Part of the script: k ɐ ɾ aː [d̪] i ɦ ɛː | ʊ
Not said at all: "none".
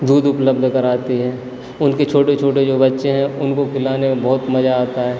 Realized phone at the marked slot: t̪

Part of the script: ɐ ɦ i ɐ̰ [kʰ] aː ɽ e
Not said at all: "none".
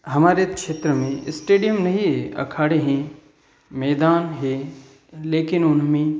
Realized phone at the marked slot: kʰ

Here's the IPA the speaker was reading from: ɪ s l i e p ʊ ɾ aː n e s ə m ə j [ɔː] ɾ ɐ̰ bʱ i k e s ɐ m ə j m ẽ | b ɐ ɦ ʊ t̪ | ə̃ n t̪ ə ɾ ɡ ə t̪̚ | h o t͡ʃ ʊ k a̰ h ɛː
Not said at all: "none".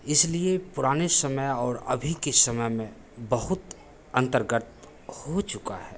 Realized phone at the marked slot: ɔː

